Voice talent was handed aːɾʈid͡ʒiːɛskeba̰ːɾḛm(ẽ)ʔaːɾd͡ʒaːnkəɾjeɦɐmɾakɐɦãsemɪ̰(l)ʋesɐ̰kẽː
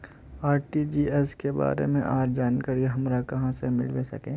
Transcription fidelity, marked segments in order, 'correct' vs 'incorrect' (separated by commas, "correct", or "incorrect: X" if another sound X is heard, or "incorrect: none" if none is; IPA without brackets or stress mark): correct, correct